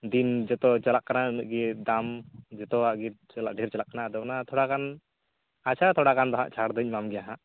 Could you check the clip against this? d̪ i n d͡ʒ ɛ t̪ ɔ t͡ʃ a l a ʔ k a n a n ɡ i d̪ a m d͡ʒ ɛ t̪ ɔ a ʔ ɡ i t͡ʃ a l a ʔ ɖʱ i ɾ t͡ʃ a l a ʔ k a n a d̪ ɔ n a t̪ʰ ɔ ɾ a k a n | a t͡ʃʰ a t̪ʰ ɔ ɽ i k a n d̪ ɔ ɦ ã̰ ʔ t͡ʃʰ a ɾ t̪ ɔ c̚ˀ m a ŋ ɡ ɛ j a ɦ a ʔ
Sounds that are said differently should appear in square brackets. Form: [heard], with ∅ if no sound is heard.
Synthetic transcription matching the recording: d̪ i n d͡ʒ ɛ t̪ ɔ t͡ʃ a l a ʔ k a n a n ɡ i d̪ a m d͡ʒ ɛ t̪ ɔ a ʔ ɡ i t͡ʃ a l a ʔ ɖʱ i ɾ t͡ʃ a l a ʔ k a n a d̪ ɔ n a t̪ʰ ɔ [ɽ] a k a n | a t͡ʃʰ a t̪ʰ ɔ ɽ [a] k a n d̪ ɔ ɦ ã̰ ʔ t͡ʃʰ a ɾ [d̪] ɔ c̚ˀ m a [m] ɡ ɛ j a ɦ a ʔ